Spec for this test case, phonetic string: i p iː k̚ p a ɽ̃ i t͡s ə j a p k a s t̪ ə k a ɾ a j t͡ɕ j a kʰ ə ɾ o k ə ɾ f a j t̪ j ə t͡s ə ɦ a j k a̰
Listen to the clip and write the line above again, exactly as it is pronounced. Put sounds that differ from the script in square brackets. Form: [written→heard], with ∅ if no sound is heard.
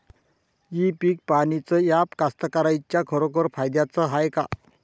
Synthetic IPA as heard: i p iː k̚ p a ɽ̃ i t͡s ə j a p k a s t̪ ə k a ɾ a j t͡ɕ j a kʰ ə ɾ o k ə ɾ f a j [t̪→d̪] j [ə→a] t͡s ə ɦ a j k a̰